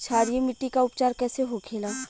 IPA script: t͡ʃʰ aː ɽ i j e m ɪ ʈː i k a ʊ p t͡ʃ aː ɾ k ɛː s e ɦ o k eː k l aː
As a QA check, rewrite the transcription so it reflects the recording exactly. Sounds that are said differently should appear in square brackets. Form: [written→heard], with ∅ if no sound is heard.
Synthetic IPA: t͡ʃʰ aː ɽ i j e m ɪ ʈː i k a ʊ p t͡ʃ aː ɾ k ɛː s e ɦ o [k→kʰ] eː [k→∅] l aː